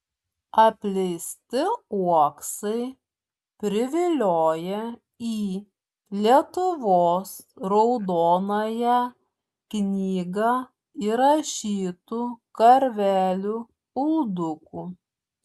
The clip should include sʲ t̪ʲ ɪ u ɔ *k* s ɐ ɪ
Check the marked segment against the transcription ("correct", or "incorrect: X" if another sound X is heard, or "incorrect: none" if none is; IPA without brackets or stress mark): correct